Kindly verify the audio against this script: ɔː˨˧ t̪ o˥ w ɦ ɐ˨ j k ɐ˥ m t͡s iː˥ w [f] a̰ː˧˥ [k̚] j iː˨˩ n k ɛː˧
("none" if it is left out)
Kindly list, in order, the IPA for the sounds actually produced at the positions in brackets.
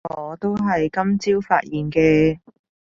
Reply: f, t̚

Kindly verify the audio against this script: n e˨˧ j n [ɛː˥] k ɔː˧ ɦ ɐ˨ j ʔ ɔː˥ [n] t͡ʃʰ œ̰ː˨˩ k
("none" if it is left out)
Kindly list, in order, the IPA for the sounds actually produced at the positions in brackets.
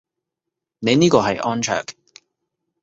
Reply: iː˥, n

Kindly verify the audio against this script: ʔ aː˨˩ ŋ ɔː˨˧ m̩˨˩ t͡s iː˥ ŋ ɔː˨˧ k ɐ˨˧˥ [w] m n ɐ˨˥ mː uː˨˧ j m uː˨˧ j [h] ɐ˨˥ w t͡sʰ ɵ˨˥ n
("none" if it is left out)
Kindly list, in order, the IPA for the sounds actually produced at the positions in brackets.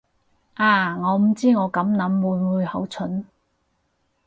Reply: none, h

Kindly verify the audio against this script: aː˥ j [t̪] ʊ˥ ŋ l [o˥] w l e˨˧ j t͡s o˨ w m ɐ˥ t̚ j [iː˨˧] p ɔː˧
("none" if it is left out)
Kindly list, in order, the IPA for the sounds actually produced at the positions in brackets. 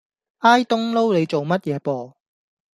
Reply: t̪, o˥, ɛː˨˧

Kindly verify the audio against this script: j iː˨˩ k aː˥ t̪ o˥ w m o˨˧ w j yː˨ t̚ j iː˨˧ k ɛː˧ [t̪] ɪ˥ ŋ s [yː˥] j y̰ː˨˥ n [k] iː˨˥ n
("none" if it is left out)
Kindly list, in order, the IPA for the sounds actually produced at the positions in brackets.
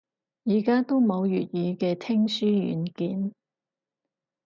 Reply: t̪ʰ, yː˥, k

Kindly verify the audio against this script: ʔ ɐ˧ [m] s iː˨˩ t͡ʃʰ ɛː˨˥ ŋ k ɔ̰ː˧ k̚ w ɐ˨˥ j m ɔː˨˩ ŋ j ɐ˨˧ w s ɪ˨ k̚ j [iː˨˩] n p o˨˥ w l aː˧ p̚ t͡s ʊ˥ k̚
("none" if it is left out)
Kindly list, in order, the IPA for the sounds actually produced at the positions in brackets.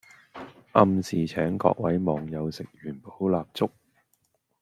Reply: m, yː˨˩

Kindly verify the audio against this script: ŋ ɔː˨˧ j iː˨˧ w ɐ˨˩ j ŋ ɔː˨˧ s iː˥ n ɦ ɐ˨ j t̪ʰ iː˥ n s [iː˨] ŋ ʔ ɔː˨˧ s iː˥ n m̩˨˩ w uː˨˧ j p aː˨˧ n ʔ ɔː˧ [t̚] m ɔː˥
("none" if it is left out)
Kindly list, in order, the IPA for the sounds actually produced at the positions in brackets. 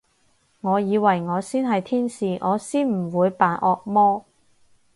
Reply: iː˨, k̚

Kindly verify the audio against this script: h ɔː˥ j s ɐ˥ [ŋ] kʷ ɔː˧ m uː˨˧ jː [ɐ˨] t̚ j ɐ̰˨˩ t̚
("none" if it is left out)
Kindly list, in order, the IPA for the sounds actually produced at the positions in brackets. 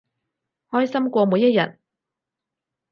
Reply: m, ɐ˥

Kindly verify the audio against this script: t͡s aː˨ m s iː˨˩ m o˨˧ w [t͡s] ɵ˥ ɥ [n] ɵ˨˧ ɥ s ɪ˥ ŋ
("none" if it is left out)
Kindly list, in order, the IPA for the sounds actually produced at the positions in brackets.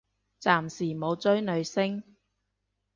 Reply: t͡s, n

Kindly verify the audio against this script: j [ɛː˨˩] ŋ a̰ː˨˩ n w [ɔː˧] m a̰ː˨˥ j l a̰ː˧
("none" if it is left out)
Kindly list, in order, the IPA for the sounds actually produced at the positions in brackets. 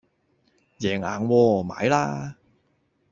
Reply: ɛː˨˩, ɔː˧

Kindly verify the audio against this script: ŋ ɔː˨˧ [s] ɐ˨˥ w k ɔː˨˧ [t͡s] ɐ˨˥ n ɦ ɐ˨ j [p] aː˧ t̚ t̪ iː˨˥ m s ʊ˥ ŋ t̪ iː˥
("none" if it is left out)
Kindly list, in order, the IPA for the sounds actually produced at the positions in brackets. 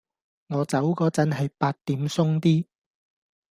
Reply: t͡s, t͡s, p

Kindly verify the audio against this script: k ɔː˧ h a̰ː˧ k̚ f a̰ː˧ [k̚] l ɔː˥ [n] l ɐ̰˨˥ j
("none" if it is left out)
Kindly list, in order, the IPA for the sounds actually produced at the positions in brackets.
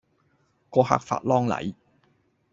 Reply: t̚, ŋ

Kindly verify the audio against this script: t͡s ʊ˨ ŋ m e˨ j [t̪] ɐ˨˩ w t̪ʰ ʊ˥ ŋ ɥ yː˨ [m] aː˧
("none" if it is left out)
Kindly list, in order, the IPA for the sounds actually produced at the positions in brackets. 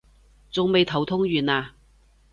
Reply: t̪ʰ, n

